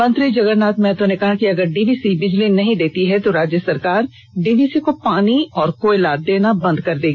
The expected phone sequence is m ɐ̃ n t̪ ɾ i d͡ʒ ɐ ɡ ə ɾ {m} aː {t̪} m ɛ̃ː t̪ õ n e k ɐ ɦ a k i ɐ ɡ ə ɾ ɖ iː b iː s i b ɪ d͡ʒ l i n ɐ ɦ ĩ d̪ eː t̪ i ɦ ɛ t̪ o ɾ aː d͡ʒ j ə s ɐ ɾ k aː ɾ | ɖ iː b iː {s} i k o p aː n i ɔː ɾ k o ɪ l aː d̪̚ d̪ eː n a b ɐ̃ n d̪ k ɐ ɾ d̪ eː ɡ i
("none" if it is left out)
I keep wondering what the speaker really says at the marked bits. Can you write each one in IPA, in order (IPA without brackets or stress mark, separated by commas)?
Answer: n, t̪, s